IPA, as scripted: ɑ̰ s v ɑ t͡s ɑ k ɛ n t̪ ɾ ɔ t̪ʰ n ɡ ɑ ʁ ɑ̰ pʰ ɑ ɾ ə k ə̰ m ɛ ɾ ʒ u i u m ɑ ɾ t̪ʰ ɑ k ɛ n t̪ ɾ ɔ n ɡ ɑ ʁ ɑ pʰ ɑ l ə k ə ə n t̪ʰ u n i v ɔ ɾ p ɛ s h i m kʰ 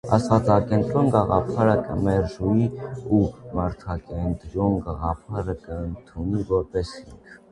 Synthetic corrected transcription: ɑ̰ s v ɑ t͡s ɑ k ɛ n t̪ ɾ ɔ n ɡ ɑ ʁ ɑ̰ pʰ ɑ ɾ ə k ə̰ m ɛ ɾ ʒ u i u m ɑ ɾ t̪ʰ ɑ k ɛ n t̪ ɾ ɔ n ɡ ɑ ʁ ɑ pʰ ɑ ɾ ə k ə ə n t̪ʰ u n i v ɔ ɾ p ɛ s h i ŋ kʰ